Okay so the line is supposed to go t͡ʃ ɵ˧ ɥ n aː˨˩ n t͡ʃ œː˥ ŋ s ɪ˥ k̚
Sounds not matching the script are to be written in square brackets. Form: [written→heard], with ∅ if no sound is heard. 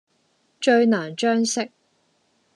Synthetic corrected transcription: t͡ʃ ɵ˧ ɥ n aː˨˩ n t͡ʃ œː˥ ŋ s ɪ˥ k̚